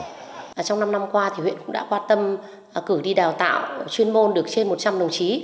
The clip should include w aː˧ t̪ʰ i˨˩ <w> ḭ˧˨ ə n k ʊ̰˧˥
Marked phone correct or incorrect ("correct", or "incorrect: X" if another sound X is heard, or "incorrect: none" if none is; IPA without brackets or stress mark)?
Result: correct